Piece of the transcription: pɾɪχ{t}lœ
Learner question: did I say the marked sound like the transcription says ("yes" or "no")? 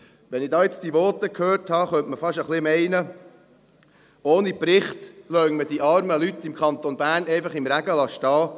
yes